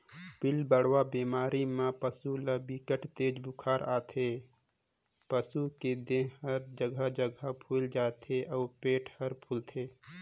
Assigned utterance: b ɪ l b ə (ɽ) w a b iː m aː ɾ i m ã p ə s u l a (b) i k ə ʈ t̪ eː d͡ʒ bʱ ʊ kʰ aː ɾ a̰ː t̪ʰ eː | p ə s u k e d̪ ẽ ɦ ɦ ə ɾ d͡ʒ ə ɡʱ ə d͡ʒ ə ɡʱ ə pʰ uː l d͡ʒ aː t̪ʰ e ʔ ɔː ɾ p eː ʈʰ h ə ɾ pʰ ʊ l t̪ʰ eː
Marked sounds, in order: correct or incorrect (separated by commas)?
correct, correct